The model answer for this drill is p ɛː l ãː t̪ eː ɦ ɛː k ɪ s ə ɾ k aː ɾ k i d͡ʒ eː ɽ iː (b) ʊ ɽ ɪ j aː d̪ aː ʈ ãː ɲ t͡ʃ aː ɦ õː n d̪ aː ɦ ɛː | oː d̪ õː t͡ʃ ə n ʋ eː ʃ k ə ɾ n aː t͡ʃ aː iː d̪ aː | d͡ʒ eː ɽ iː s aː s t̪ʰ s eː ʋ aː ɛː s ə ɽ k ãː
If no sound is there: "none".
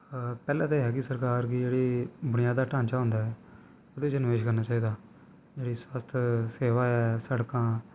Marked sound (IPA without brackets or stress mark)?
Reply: b